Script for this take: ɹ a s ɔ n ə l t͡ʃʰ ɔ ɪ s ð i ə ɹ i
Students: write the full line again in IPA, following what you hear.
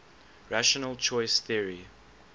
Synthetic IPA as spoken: ɹ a ʃ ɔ n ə l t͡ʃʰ ɔ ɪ s θ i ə ɹ i